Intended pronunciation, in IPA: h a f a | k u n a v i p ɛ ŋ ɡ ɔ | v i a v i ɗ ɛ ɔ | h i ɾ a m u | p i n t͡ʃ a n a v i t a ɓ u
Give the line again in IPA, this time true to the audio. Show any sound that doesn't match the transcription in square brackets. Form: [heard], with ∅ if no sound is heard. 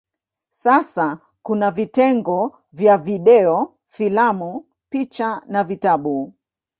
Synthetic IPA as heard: [s] a [s] a | k u n a v i [t] ɛ ŋ ɡ ɔ | v [j] a v i ɗ ɛ ɔ | [f] i [l] a m u | p i [∅] t͡ʃ a n a v i t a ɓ u